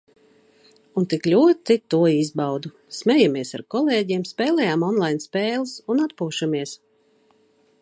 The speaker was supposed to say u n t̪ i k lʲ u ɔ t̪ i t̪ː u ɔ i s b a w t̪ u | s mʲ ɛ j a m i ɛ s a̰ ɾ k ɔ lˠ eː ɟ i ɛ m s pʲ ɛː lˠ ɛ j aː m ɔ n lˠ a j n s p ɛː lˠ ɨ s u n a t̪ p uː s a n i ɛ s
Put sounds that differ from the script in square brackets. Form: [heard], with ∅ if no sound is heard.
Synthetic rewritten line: u n t̪ i k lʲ u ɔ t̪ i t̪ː u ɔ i [z] b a w [d̪] u | s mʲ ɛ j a m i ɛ s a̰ ɾ k ɔ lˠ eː ɟ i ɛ m s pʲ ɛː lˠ ɛ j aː m ɔ n lˠ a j n s p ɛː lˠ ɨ s u n a t̪ p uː [ʃ] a [m] i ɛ s